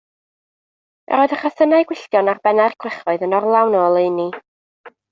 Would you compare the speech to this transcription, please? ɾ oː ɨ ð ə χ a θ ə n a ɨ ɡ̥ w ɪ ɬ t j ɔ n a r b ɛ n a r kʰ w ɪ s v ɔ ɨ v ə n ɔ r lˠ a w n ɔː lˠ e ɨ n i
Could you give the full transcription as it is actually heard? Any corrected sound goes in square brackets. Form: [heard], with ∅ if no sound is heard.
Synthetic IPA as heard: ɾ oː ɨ ð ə χ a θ ə n a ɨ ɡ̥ w ɪ ɬ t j ɔ n a r b ɛ n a r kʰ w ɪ [χ] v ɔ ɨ [ð] ə n ɔ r lˠ a w n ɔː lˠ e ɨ n i